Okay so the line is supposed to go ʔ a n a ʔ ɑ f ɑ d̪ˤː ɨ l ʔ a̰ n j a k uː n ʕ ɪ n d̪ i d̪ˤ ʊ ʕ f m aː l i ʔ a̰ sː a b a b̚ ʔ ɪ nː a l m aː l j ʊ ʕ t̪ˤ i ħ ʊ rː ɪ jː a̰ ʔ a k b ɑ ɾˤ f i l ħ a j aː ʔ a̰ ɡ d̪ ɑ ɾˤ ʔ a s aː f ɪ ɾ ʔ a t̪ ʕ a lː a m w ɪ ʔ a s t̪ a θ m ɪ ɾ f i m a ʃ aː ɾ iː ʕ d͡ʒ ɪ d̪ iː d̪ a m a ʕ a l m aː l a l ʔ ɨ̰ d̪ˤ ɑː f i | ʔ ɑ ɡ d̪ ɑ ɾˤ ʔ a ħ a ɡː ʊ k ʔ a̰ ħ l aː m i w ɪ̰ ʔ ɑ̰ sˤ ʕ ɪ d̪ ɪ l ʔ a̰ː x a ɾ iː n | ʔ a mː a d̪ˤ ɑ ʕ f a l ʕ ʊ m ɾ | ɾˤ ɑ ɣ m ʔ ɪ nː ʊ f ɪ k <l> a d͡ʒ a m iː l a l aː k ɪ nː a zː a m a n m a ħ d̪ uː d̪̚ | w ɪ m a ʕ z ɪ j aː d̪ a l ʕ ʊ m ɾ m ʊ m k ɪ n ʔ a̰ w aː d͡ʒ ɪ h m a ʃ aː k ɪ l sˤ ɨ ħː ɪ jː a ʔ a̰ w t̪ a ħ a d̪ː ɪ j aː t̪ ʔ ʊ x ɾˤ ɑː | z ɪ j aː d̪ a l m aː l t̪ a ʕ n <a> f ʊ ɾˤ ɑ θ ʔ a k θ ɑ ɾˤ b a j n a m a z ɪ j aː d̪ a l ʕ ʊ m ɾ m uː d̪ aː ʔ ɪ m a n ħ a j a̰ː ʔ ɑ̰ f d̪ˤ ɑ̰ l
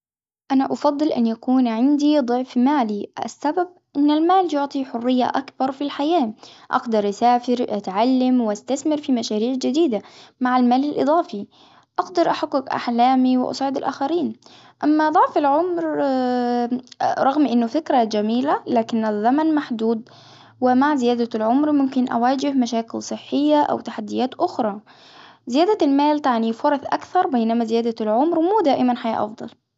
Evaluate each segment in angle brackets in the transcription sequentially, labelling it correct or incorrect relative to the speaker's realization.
incorrect: ɾ, incorrect: i

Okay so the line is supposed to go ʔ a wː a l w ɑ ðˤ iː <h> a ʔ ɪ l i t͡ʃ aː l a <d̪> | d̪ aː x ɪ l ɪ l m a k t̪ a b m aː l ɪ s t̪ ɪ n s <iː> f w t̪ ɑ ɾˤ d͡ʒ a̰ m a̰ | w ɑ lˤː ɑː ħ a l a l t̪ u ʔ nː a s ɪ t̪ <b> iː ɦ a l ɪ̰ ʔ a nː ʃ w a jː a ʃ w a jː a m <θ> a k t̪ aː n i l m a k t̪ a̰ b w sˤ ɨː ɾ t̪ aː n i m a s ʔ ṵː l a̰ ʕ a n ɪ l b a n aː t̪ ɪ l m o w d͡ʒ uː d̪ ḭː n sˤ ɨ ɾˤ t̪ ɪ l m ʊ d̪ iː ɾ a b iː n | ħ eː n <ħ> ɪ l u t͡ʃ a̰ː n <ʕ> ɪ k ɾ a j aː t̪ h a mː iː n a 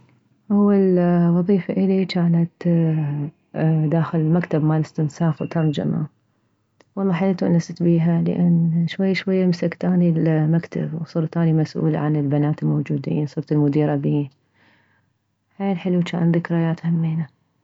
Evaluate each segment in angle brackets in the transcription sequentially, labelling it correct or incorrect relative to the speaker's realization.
incorrect: f, incorrect: t̪, incorrect: aː, correct, incorrect: s, correct, incorrect: ð

